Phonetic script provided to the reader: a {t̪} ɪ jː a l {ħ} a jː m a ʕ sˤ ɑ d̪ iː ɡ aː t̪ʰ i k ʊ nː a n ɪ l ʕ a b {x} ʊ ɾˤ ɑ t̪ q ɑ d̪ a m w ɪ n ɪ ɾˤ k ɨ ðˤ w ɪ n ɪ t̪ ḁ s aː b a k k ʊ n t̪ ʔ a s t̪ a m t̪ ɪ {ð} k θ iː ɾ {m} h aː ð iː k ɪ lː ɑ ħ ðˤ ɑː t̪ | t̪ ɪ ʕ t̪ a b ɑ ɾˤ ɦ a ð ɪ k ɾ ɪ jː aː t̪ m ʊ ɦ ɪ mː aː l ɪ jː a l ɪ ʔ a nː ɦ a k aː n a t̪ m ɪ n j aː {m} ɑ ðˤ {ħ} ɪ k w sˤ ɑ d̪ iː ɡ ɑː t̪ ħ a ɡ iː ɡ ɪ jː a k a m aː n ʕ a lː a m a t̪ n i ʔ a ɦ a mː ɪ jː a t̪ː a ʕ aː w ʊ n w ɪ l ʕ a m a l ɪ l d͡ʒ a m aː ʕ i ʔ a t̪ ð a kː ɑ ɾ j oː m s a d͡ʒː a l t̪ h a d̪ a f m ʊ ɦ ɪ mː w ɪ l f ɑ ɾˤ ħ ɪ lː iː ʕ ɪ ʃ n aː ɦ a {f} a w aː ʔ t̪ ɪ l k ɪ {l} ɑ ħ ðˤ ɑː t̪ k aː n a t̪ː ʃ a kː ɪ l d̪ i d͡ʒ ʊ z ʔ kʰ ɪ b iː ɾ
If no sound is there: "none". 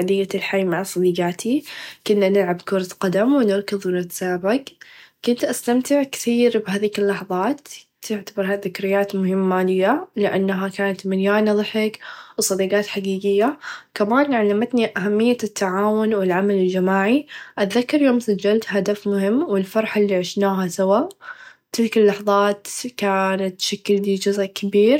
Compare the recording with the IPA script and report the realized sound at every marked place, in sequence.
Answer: d̪, ħ, k, ʕ, b, n, ħ, s, lː

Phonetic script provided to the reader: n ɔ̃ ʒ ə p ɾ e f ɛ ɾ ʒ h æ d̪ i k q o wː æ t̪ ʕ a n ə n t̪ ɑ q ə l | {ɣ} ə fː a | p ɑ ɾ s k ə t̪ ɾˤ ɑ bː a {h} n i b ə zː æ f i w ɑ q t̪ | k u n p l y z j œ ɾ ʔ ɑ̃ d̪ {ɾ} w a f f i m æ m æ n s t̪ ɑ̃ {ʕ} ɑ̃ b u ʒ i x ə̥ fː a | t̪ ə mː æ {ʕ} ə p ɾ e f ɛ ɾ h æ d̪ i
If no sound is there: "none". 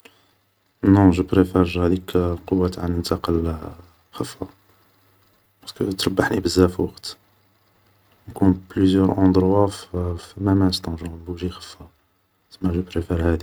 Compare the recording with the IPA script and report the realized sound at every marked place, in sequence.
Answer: x, ħ, ɾ, ʒ, ʒ

